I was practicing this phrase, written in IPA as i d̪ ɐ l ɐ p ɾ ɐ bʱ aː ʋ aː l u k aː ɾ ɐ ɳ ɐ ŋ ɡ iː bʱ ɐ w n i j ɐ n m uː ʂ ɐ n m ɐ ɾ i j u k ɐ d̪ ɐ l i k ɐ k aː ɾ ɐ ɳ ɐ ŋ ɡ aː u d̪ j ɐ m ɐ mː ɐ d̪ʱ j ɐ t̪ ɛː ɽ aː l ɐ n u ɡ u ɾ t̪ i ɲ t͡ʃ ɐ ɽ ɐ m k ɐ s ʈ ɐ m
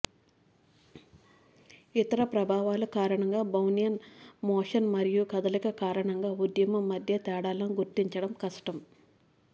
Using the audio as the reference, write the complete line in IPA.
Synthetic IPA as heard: i t̪ ɐ ɾ ɐ p ɾ ɐ bʱ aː ʋ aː l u k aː ɾ ɐ ɳ ɐ ŋ ɡ aː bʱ ɐ w n i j ɐ n m ɔː ʂ ɐ n m ɐ ɾ i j u k ɐ d̪ ɐ l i k ɐ k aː ɾ ɐ ɳ ɐ ŋ ɡ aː u d̪ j ɐ m ɐ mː ɐ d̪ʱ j ɐ t̪ ɛː ɽ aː l ɐ n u ɡ u ɾ t̪ i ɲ t͡ʃ ɐ ɽ ɐ m k ɐ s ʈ ɐ m